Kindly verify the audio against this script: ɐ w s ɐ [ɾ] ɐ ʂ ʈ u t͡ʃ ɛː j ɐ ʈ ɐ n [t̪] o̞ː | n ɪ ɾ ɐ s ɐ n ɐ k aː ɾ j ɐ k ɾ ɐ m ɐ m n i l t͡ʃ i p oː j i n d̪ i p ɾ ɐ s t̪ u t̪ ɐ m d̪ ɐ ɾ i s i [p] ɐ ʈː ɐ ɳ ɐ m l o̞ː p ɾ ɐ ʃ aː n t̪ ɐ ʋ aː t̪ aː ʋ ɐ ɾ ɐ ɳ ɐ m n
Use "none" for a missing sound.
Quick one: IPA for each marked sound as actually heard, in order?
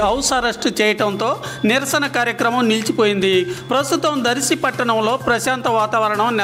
ɾ, t̪, p

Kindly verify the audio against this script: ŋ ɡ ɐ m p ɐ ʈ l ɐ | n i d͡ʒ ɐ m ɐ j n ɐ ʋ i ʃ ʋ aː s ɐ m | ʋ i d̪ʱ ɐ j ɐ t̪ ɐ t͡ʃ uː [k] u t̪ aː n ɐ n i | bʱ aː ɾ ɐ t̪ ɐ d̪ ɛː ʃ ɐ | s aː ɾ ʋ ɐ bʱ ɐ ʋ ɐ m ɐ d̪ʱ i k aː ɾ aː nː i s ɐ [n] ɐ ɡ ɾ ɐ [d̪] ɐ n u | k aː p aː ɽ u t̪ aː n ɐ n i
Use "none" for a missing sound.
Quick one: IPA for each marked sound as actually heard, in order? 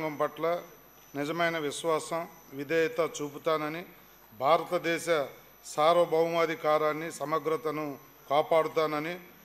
p, m, t̪

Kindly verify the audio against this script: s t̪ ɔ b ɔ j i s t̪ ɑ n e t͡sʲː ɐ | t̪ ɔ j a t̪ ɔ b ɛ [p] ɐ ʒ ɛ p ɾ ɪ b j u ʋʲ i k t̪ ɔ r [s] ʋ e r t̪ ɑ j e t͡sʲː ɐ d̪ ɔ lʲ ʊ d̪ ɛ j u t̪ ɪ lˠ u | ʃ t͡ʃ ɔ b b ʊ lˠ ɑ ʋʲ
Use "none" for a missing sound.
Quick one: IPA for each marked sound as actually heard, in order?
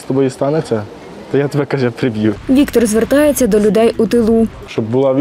k, z

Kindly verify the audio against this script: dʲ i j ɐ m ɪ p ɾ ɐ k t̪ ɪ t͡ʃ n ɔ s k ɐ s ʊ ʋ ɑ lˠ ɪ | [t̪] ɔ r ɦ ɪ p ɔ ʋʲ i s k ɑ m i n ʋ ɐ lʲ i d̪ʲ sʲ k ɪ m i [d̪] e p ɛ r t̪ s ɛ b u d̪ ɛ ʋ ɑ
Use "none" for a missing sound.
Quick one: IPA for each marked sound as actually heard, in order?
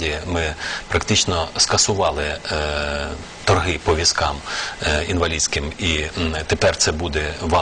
t̪, t̪

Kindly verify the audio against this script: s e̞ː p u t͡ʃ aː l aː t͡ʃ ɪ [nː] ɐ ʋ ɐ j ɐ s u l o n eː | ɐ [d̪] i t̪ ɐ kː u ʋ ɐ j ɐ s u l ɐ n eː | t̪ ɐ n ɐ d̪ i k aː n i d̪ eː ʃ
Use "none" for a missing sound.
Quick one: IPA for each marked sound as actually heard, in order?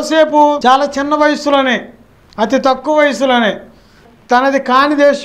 nː, t̪

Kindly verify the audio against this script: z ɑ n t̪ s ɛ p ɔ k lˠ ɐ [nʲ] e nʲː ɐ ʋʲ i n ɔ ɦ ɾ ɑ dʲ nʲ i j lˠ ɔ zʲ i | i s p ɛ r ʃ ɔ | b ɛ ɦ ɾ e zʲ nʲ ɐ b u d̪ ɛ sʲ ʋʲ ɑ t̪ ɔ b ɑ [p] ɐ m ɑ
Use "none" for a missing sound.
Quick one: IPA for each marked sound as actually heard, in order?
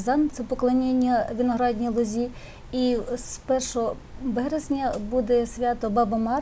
nʲ, b

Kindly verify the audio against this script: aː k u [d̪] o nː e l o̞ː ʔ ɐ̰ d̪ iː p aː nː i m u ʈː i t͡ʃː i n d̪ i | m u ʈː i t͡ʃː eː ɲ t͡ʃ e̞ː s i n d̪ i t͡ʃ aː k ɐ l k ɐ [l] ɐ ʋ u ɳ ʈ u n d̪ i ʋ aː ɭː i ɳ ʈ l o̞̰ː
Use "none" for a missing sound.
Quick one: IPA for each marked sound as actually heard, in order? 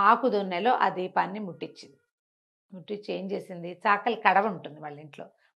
d̪, ɽ

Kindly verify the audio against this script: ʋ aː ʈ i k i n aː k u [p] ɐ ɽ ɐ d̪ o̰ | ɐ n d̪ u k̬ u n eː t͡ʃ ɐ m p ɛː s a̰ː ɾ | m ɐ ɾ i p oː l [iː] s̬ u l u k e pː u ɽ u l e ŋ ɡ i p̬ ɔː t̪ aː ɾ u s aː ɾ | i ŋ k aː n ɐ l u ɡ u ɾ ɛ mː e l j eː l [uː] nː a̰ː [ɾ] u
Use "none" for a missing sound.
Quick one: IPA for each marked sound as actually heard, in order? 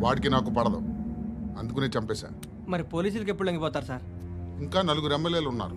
p, iː, u, ɾ

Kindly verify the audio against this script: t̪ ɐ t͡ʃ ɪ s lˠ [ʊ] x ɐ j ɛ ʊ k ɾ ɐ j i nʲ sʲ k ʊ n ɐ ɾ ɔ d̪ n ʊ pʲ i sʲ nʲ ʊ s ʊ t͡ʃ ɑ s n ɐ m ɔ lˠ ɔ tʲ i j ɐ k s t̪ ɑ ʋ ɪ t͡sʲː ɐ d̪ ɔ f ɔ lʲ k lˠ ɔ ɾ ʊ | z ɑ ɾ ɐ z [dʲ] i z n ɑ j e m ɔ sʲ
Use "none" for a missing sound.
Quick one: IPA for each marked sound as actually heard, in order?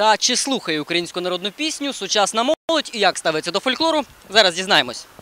u, dʲ

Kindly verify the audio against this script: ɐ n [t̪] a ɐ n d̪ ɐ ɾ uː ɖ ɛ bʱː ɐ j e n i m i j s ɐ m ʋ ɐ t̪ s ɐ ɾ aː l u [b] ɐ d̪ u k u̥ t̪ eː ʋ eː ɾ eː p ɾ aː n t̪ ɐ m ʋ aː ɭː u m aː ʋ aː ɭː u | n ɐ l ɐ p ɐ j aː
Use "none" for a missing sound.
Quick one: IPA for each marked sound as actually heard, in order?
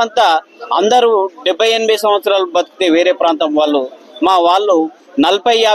t̪, b

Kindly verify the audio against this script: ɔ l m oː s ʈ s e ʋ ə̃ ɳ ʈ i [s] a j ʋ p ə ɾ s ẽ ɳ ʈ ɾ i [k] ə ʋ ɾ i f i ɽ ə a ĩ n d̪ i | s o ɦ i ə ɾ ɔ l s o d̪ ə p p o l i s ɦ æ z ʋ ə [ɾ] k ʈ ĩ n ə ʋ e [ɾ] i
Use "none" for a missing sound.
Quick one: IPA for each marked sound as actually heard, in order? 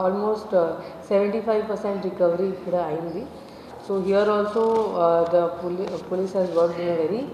f, k, ɾ, ɾ

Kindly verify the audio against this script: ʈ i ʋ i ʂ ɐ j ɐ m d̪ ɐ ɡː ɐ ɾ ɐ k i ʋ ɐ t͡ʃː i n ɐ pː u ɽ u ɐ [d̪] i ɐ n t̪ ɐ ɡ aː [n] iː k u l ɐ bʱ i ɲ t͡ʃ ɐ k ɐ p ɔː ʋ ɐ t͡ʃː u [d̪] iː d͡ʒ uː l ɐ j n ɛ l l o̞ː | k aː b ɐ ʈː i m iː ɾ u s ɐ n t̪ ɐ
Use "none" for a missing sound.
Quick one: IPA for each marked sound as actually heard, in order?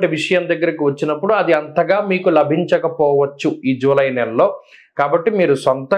d̪, m, none

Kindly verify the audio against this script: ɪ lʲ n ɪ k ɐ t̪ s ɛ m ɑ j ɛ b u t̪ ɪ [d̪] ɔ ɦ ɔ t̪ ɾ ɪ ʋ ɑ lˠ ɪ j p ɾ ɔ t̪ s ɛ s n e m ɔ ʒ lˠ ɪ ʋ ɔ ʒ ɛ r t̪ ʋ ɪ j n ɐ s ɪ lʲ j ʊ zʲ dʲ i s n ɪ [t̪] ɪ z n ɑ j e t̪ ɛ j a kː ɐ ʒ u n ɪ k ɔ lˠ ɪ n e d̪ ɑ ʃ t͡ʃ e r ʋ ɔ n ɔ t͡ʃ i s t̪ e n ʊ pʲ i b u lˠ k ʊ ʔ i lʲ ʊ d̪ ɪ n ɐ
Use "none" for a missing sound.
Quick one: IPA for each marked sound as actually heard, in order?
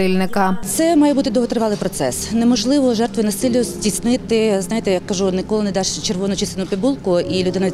d̪, t̪

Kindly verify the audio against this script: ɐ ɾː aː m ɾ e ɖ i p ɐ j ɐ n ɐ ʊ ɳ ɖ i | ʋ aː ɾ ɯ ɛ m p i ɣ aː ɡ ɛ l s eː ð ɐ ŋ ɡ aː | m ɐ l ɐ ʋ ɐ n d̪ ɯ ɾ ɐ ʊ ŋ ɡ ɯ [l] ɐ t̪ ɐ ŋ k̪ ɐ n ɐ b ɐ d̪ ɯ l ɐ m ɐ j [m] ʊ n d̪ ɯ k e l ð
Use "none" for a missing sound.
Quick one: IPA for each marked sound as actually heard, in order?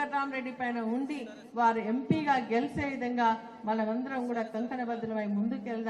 ɽ, m

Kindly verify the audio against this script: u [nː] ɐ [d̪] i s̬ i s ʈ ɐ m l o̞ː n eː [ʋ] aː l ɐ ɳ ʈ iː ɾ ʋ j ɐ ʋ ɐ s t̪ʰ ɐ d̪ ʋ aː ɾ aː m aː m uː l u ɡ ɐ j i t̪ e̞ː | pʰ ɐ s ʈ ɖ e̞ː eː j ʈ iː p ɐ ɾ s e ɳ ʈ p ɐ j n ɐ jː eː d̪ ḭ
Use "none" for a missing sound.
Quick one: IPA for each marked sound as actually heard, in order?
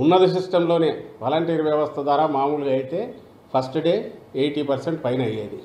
nː, d̪, ʋ

